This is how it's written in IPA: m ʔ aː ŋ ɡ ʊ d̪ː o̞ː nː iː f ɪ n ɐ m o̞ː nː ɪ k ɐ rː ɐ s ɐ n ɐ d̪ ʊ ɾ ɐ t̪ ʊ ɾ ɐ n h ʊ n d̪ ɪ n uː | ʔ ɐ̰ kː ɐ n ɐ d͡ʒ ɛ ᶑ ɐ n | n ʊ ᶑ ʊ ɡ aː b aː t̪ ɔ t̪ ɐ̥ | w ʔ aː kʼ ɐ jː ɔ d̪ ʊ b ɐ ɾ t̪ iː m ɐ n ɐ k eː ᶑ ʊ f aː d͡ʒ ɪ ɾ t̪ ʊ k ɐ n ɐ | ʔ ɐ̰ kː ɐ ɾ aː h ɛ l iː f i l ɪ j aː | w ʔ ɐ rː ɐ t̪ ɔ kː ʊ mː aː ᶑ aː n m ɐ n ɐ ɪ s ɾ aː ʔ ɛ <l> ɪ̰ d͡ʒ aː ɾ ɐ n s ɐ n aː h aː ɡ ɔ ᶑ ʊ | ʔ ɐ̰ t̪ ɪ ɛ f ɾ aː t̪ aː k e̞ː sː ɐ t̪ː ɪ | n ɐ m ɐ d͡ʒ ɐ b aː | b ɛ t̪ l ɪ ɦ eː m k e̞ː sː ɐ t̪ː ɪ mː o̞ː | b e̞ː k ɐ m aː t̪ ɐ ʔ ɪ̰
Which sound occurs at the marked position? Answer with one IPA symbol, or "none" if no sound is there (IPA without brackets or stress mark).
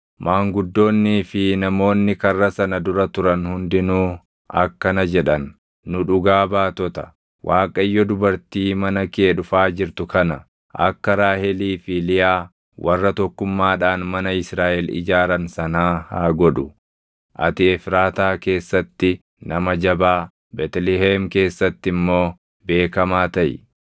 l